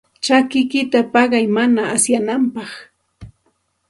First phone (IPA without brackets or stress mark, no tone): t͡ʃ